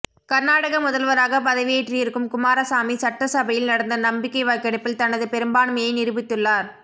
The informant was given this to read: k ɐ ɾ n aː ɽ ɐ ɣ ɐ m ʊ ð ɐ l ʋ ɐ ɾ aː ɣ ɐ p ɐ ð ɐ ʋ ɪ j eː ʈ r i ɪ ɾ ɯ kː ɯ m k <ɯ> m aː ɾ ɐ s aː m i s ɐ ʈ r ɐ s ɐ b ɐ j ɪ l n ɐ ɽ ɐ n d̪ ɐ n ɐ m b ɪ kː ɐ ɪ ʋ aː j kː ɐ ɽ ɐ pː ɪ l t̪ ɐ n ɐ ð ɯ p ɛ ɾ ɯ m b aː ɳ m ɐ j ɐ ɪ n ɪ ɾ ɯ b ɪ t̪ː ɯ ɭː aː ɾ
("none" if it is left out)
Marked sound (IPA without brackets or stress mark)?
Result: ʊ